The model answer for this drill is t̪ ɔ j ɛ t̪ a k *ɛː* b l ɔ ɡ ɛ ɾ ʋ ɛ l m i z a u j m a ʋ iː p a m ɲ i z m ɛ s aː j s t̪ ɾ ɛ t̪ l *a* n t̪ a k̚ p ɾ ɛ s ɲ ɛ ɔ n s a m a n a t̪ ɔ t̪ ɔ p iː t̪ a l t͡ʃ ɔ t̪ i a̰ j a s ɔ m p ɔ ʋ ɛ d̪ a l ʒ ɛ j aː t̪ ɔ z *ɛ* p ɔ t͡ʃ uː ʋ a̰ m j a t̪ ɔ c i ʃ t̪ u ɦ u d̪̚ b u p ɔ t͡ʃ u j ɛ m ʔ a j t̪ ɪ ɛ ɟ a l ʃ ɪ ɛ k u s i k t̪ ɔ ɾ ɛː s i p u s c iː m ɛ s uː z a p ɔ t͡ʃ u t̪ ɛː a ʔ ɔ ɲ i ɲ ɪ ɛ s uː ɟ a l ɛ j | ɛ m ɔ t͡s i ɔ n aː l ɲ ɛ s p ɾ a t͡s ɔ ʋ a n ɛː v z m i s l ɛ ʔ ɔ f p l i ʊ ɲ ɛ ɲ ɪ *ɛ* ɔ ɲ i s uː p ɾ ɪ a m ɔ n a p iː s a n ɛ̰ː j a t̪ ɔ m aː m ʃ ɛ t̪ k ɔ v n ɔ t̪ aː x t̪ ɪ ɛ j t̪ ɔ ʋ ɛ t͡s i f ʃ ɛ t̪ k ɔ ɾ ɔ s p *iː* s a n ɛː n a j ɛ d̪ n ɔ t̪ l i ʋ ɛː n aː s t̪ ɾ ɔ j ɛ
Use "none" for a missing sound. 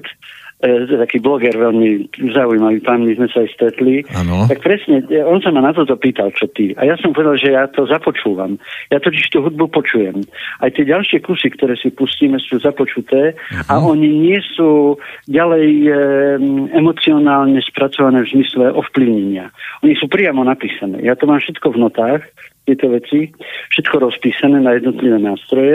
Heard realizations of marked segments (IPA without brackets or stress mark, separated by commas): iː, i, a, a, iː